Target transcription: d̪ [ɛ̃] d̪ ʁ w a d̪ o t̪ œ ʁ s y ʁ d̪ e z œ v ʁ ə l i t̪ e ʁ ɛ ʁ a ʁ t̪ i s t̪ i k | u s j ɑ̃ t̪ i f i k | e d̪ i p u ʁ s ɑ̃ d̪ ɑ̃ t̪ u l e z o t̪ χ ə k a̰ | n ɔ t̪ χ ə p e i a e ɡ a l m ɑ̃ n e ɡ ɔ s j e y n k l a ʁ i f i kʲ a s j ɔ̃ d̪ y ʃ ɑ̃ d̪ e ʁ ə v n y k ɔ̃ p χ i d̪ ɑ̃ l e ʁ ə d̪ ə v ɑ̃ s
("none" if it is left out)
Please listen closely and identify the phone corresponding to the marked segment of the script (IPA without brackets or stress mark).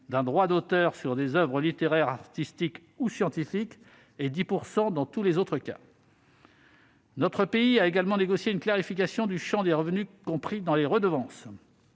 ɛ̃